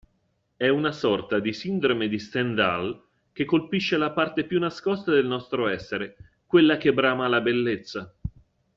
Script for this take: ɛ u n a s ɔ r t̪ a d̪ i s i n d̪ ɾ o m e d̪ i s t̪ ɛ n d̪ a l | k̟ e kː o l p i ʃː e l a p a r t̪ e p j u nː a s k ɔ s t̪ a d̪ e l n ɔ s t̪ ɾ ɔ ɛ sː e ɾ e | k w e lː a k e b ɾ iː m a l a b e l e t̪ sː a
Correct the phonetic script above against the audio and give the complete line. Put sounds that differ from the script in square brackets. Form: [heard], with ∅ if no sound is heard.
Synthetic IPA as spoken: ɛ u n a s ɔ r t̪ a d̪ i s i n d̪ ɾ o m e d̪ i s t̪ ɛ n d̪ a l | k̟ e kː o l p i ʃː e l a p a r t̪ e p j u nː a s k ɔ s t̪ a d̪ e l n ɔ s t̪ ɾ [o] ɛ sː e ɾ e | k w e lː a k e b ɾ [aː] m a l a b e [lː] e t̪ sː a